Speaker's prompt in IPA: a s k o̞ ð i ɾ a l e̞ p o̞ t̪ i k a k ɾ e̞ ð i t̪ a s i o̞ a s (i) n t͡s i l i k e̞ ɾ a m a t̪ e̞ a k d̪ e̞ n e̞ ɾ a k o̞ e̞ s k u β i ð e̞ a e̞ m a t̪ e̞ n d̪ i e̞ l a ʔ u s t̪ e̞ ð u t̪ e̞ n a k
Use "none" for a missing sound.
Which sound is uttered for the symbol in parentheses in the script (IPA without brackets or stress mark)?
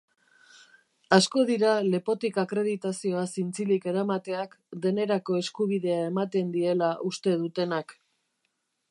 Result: i